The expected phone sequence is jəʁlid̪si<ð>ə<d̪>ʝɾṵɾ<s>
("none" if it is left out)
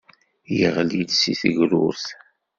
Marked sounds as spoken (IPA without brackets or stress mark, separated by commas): θ, none, θ